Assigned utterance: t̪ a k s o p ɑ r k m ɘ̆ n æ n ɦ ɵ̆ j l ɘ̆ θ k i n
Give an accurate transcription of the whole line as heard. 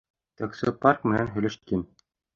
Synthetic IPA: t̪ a k s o p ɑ r k m ɘ̆ n æ n ɦ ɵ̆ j l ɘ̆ ʃ k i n